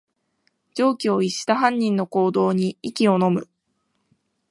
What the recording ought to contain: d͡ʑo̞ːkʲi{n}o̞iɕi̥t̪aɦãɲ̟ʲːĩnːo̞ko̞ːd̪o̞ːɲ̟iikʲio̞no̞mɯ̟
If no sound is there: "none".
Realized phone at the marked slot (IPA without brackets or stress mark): none